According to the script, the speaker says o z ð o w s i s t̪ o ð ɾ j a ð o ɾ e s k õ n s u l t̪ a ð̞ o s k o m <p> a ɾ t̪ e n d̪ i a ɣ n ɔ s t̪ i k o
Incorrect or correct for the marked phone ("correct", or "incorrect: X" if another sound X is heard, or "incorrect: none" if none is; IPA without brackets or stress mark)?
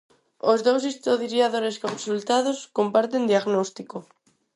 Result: correct